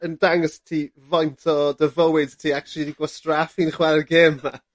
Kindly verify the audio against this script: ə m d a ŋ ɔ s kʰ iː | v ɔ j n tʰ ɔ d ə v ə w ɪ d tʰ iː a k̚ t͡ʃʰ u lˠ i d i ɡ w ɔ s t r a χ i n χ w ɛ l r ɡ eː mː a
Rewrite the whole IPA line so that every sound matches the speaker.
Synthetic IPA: ə n d a ŋ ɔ s tʰ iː | v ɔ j n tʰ ɔ d ə v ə w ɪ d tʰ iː a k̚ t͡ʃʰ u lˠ i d i ɡ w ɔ s t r a f i n χ w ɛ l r ɡ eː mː a

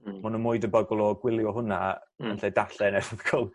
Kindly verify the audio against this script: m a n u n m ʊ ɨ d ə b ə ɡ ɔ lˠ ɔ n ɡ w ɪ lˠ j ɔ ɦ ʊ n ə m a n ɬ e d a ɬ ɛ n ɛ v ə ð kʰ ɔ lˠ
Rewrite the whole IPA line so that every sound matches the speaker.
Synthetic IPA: m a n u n m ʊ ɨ d ə b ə ɡ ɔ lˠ ɔ ɡ w ɪ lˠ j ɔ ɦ ʊ n a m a n ɬ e d a ɬ ɛ n ɛ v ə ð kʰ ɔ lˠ

